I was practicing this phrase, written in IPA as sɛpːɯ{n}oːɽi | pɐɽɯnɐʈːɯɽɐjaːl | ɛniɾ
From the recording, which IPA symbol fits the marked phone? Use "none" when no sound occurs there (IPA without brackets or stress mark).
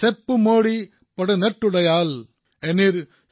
m